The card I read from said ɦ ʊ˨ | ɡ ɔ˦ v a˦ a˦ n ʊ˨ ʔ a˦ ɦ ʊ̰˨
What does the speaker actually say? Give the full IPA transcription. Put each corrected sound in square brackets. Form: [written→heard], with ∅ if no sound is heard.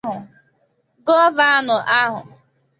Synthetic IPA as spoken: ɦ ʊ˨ | ɡ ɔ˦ v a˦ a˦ n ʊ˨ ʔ a˦ ɦ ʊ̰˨